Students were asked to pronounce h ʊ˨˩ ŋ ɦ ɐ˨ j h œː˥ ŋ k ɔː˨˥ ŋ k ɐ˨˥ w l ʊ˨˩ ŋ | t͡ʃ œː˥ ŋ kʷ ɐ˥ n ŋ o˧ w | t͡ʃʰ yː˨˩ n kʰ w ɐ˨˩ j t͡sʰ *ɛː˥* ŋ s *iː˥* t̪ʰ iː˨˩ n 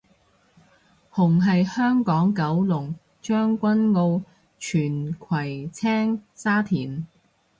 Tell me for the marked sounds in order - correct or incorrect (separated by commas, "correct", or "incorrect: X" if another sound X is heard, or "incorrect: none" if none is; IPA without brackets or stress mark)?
correct, incorrect: aː˥